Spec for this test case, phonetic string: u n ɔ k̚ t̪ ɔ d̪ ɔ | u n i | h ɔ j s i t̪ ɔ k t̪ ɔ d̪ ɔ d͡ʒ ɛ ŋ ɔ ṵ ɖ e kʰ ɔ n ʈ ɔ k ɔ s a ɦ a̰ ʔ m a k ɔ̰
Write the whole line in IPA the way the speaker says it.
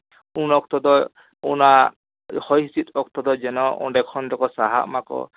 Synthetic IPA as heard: u n ɔ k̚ t̪ ɔ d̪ ɔ | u n a | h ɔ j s i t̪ ɔ k t̪ ɔ d̪ ɔ d͡ʒ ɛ n ɔ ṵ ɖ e kʰ ɔ n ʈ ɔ k ɔ s a ɦ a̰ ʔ m a k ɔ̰